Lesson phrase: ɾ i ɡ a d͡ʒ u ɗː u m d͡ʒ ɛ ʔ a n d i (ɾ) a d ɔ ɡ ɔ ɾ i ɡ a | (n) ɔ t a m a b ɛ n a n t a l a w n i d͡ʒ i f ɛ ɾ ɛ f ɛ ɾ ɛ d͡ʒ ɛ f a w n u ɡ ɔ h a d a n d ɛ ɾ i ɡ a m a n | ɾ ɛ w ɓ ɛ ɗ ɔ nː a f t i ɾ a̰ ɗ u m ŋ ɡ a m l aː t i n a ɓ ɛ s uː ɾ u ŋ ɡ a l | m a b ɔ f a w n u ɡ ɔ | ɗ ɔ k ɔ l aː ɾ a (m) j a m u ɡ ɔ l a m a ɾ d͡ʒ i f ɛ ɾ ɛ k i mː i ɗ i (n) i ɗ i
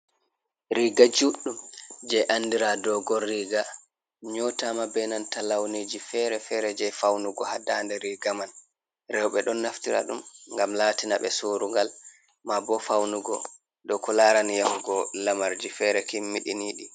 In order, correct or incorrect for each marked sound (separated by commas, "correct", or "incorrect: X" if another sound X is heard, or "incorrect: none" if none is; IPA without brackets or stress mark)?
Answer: correct, incorrect: ɲ, incorrect: n, correct